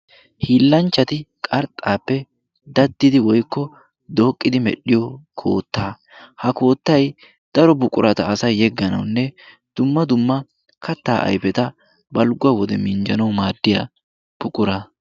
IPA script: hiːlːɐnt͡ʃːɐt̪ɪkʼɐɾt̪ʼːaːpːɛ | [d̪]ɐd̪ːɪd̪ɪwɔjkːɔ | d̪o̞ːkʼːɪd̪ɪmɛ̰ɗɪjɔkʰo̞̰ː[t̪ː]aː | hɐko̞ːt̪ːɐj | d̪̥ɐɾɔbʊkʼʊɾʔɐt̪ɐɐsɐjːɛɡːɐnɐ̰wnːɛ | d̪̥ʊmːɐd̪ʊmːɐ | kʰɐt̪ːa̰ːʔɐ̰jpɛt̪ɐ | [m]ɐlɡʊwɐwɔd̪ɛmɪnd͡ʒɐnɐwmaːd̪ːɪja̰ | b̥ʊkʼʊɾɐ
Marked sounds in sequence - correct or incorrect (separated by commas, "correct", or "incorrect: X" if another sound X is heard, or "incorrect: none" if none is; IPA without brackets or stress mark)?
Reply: correct, correct, incorrect: b